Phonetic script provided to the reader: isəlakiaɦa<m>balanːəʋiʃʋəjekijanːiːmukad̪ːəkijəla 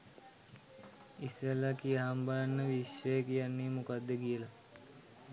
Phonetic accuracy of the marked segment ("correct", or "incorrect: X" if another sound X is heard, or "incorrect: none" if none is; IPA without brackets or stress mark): correct